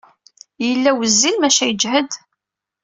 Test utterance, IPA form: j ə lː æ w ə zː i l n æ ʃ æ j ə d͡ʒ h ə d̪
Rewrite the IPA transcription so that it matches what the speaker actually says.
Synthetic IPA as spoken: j ə lː æ w ə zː i l m æ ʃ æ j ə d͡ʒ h ə d̪